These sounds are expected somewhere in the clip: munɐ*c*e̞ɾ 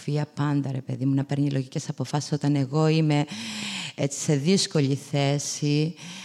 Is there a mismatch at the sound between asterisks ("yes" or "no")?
yes